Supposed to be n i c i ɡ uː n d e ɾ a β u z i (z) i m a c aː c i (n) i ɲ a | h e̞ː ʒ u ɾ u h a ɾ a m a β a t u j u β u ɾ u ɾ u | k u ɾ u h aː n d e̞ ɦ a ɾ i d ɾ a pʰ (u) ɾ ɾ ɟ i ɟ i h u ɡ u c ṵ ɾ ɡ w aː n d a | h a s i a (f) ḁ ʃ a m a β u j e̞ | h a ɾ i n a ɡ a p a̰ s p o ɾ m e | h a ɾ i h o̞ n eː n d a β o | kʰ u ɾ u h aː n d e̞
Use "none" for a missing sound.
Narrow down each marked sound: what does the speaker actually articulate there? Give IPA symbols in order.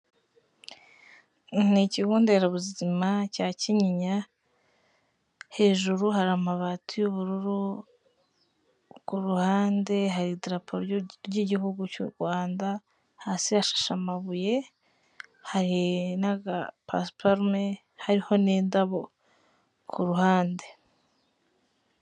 z, ɲ, o, ʃ

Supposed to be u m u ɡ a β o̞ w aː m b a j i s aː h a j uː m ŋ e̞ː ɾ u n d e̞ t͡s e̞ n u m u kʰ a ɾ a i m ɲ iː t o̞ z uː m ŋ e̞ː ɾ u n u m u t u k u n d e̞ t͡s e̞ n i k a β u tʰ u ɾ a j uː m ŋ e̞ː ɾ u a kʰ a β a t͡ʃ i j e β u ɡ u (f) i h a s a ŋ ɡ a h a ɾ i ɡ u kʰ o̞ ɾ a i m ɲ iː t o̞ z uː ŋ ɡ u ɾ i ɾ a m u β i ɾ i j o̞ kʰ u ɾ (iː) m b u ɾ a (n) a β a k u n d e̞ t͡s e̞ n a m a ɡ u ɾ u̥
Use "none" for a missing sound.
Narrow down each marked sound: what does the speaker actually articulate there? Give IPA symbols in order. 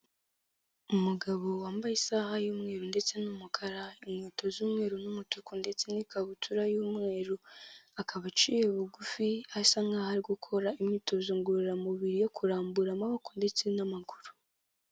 f, aː, m

